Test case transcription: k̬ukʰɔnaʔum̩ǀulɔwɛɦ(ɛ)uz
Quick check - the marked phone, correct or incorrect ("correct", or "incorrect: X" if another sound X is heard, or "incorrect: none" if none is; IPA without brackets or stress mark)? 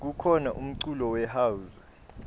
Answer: incorrect: a